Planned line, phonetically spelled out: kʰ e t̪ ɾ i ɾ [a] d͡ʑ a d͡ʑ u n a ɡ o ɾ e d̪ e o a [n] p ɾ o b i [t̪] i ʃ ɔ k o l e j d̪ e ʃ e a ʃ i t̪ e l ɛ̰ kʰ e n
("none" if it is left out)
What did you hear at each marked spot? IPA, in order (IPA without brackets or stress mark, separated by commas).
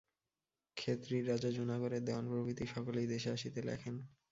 a, n, t̪